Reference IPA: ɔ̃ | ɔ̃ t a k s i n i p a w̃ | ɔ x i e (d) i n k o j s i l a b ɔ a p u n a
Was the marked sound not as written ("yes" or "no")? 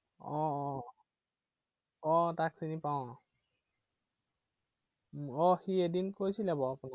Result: no